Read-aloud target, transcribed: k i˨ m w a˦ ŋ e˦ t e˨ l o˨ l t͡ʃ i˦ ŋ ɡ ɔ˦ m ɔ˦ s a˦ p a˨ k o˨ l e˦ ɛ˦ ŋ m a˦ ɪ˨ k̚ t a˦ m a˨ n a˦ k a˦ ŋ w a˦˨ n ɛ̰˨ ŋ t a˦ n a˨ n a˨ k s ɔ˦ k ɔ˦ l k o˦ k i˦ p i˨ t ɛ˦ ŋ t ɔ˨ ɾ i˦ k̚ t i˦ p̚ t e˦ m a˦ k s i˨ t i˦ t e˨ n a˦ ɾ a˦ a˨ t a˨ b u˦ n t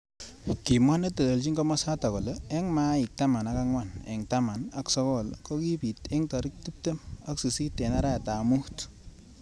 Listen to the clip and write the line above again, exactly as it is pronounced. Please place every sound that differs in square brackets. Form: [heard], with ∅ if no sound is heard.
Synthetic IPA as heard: k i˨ m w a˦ [n] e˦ t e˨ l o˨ l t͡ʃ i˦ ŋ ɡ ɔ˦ m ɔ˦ s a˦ [t] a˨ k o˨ l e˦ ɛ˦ ŋ m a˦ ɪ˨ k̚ t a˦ m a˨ n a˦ k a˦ ŋ w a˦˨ n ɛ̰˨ ŋ t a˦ [m] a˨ n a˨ k s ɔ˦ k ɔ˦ l k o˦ k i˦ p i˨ t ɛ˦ ŋ t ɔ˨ ɾ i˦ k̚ t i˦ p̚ t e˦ m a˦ k s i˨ [s] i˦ t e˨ n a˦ ɾ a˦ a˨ t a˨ [m] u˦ [∅] t